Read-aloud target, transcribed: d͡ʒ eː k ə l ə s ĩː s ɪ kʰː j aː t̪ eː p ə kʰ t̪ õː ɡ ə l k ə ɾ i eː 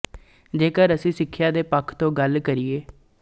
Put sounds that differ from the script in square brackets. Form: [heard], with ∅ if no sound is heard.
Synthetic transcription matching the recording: d͡ʒ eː k ə [ɾ] ə s ĩː s ɪ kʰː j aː [d̪] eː p ə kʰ t̪ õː ɡ ə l k ə ɾ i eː